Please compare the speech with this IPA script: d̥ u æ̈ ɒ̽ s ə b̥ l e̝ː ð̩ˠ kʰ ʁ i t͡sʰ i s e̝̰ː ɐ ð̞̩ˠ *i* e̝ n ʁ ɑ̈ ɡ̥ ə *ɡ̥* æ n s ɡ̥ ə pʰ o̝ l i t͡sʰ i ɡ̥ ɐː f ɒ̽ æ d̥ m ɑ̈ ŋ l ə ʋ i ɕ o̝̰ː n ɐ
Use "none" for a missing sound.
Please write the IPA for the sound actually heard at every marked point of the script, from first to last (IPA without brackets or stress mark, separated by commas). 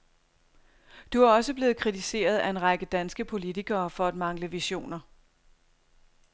æ, d̥